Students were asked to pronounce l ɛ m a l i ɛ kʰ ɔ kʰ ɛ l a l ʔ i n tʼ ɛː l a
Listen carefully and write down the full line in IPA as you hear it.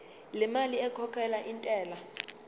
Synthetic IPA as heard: l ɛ m a l i ɛ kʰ ɔ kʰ ɛ l a ʔ i n tʼ ɛː l a